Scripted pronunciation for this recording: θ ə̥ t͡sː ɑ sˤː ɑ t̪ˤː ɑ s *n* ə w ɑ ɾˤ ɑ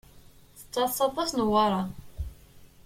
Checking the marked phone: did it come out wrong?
no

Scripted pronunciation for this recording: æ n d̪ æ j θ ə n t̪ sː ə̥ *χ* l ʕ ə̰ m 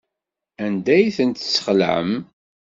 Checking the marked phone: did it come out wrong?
no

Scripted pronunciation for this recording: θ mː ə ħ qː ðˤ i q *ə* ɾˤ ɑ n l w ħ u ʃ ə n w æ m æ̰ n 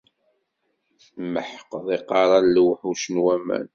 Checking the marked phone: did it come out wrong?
yes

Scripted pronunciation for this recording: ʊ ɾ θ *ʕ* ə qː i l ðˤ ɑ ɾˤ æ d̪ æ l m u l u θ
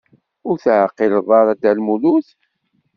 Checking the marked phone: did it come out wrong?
no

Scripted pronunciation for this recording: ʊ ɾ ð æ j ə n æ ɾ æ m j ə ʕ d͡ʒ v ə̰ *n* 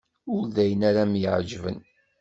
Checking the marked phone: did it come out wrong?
no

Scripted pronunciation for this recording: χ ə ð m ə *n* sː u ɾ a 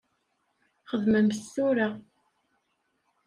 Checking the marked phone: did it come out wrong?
yes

